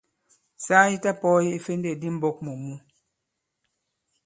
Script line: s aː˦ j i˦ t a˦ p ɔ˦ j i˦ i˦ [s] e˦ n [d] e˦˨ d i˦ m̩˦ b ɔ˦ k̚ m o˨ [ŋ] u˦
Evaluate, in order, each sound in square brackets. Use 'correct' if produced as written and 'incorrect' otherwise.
incorrect: f, correct, incorrect: m

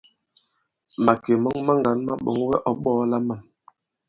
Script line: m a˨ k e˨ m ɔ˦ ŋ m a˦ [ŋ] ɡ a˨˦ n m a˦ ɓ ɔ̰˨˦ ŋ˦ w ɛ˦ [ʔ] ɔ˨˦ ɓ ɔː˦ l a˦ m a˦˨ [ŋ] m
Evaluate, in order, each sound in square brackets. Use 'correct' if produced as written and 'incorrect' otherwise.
correct, correct, incorrect: none

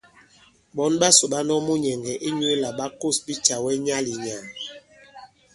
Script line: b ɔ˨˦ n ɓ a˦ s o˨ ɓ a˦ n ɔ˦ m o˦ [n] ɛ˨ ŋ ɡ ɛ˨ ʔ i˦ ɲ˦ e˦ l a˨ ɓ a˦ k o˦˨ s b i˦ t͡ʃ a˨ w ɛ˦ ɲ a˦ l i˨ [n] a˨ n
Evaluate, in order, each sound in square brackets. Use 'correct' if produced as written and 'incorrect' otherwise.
incorrect: ɲ, incorrect: ɲ

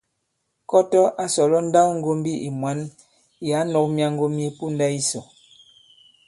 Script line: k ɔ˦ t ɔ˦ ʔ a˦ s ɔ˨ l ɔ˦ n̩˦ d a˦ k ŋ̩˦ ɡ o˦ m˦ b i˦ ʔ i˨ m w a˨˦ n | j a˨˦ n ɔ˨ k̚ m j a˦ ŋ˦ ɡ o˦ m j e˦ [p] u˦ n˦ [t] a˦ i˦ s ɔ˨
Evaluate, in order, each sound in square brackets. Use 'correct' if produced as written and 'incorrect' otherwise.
correct, incorrect: d

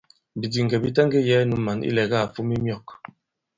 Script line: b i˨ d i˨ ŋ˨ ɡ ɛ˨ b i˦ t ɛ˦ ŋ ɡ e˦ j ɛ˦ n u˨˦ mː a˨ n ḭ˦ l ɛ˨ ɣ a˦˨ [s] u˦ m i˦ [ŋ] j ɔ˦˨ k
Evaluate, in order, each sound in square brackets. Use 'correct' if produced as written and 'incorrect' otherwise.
incorrect: f, incorrect: m

